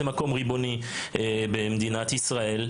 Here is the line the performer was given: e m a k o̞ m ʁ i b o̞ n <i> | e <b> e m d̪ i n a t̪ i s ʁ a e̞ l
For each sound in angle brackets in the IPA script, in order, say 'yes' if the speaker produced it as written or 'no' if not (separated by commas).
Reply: yes, yes